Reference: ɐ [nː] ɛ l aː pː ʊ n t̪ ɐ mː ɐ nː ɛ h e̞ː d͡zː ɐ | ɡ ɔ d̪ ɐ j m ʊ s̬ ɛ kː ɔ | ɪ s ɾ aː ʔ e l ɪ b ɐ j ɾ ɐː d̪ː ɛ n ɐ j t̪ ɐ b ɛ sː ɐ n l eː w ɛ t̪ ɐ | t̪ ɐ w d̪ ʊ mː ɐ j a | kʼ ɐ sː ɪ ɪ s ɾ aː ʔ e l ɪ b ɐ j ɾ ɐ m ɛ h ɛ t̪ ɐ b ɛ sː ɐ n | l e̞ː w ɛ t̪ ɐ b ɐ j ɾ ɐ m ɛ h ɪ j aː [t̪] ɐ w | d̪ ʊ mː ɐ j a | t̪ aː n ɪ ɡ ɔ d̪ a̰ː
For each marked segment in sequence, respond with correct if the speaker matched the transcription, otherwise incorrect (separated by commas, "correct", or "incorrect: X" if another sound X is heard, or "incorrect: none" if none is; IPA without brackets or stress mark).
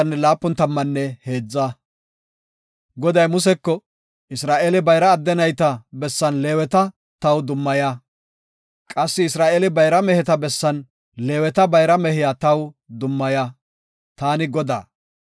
correct, correct